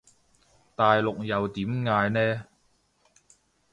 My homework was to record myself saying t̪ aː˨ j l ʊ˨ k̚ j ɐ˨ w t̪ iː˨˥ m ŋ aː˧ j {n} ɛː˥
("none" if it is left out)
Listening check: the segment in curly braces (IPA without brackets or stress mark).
n